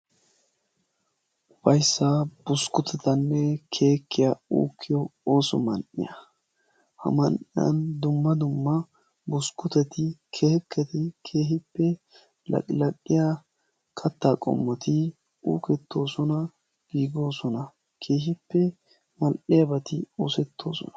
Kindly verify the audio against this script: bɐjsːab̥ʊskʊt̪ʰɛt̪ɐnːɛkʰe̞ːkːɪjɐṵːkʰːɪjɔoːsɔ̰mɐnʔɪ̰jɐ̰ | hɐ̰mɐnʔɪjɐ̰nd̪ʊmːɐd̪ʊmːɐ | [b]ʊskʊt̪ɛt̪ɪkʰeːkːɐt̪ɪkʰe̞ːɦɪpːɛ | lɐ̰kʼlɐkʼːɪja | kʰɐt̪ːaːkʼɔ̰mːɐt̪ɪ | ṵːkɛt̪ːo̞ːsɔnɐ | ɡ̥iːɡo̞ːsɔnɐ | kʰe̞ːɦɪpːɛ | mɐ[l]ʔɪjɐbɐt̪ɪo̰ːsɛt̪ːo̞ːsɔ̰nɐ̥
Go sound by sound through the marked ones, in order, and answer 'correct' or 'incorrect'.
correct, correct

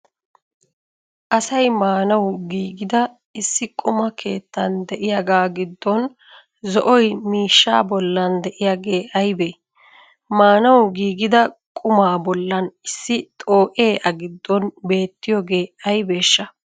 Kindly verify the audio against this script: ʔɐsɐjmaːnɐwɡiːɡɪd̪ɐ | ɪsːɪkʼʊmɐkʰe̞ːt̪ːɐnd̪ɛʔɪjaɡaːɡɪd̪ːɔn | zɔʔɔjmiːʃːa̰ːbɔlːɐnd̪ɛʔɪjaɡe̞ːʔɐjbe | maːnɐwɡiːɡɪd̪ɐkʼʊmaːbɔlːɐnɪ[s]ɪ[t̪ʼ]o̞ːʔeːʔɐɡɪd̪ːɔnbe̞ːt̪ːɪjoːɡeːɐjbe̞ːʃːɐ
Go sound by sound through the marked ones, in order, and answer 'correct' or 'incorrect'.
incorrect: sː, correct

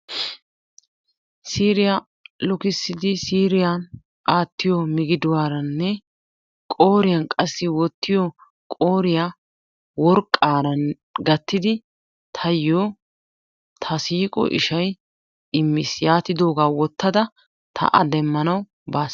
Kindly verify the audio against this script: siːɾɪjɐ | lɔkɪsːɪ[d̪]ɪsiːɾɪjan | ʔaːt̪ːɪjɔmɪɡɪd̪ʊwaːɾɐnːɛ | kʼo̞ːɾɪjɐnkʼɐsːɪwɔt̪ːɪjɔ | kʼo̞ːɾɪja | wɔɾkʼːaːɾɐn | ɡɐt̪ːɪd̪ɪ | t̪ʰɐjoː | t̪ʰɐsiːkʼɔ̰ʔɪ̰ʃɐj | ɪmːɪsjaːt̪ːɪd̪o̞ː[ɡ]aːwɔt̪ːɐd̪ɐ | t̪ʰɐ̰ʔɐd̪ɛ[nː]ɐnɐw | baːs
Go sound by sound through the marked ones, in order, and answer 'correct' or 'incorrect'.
correct, correct, incorrect: mː

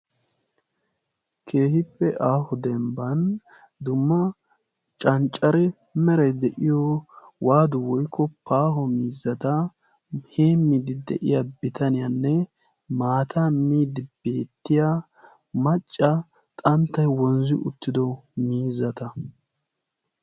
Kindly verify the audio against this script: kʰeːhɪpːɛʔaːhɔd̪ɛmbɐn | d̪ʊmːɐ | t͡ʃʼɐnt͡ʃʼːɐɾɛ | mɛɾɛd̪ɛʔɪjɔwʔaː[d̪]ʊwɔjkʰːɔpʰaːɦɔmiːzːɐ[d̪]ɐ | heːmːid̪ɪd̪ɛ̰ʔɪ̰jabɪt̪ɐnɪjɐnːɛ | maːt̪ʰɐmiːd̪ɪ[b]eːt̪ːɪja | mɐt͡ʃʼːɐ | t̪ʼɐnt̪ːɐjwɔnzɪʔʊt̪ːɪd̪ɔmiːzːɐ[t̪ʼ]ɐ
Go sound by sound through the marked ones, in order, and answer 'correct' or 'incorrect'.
correct, incorrect: t̪, correct, incorrect: t̪

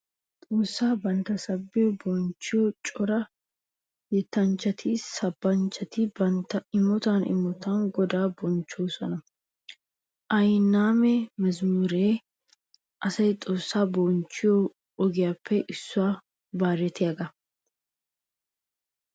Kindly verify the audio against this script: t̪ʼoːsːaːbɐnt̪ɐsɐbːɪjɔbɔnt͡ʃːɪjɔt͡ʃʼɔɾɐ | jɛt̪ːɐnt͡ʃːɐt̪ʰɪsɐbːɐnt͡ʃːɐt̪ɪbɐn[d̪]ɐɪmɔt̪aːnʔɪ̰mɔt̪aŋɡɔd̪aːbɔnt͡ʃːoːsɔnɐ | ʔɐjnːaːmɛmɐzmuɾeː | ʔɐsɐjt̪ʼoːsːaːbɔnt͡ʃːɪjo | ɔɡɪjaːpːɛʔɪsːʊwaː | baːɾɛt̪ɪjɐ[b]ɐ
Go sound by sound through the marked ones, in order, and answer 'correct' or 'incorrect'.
incorrect: t̪, incorrect: ɡ

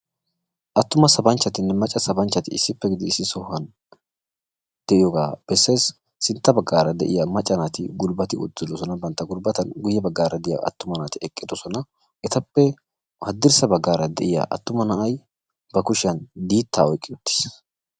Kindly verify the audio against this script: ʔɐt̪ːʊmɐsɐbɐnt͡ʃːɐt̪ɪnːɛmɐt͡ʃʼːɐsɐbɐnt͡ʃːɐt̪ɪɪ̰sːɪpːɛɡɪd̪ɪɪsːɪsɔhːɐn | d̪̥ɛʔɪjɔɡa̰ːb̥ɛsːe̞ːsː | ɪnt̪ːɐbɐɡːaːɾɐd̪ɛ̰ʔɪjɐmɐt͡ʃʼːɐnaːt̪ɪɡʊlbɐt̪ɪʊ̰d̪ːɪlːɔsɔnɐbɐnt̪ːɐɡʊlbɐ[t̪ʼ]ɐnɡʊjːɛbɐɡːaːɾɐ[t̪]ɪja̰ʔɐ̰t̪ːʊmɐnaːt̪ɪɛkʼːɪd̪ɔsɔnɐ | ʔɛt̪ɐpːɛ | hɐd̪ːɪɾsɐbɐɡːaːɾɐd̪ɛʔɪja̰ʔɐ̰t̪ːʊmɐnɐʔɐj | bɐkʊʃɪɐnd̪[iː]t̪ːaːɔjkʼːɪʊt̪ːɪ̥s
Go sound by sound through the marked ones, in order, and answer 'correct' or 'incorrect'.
incorrect: t̪, incorrect: d̪, correct

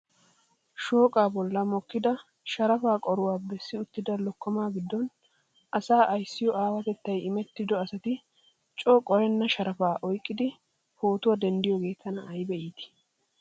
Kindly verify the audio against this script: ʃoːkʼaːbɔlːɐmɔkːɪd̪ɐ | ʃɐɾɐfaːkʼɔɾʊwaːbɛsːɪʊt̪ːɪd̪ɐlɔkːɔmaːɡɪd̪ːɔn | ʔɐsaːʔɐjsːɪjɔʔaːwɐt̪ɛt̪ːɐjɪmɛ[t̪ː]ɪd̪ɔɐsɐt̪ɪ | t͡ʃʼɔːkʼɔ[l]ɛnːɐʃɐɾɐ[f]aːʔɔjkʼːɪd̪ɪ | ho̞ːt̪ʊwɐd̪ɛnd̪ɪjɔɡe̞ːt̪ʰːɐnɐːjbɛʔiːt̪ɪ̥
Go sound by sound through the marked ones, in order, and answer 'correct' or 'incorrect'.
correct, incorrect: ɾ, correct

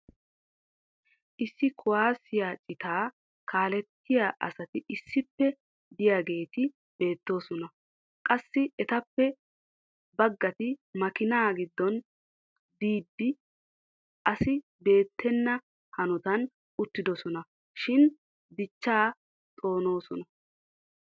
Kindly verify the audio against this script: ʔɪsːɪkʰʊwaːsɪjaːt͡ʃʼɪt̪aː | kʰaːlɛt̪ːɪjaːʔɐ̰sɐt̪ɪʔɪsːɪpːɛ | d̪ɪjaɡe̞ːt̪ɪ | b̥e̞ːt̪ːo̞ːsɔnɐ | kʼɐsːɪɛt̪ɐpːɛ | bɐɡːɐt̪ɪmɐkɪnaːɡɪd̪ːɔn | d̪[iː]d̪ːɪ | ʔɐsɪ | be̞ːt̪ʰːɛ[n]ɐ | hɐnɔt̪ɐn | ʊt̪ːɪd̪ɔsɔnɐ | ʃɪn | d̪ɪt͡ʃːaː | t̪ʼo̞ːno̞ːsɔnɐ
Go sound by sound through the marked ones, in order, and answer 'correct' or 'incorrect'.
correct, incorrect: nː

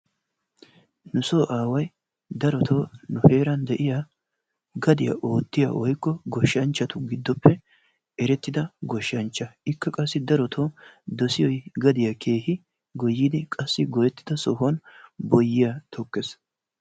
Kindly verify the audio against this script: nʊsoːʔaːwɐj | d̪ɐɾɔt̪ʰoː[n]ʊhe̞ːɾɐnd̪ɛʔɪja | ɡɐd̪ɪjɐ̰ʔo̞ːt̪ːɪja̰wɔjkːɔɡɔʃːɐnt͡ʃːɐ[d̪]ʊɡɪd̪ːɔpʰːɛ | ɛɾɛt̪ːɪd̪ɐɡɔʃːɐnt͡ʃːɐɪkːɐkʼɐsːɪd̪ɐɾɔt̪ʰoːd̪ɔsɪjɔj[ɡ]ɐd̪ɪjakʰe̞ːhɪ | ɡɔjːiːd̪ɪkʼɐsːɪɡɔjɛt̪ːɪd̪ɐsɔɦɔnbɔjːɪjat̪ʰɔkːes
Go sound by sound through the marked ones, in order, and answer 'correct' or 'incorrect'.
correct, incorrect: t̪, correct

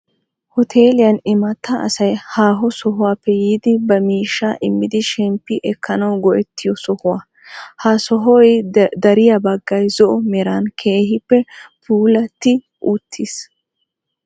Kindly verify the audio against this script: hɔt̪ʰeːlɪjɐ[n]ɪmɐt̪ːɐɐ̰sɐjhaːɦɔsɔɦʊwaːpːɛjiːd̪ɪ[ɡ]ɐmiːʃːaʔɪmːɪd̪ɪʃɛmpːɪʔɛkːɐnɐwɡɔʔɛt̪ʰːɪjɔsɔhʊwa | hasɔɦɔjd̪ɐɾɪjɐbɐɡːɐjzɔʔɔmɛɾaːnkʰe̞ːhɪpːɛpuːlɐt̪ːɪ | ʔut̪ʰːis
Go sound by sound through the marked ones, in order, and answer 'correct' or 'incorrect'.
correct, incorrect: b

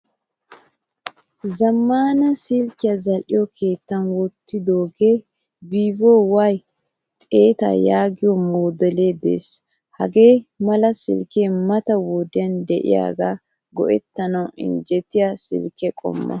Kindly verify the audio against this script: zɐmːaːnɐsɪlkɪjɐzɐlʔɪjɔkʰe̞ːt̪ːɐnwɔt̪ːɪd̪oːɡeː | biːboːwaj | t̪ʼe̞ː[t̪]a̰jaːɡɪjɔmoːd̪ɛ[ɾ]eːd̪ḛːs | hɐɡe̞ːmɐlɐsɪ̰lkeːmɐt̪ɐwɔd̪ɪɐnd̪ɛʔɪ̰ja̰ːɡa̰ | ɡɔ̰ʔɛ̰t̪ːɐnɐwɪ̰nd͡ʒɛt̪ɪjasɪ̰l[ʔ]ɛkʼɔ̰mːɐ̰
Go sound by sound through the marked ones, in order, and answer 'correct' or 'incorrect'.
correct, incorrect: l, incorrect: k

